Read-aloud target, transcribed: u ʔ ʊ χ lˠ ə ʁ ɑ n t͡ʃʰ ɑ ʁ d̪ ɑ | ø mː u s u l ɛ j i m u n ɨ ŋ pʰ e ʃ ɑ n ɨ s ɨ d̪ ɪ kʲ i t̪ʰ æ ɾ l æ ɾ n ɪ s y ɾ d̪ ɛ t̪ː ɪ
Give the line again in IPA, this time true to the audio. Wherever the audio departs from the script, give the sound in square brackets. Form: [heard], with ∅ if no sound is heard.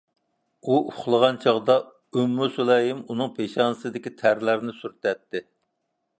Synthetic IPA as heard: u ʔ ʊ χ lˠ ə ʁ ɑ n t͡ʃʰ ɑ ʁ d̪ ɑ | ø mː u s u l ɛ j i m u n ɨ ŋ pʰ e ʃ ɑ n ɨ s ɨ d̪ ɪ kʲ i t̪ʰ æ ɾ l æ ɾ n ɪ s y ɾ [t̪] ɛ t̪ː ɪ